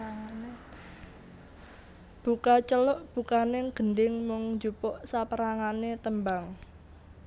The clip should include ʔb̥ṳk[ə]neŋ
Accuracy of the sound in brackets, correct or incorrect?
incorrect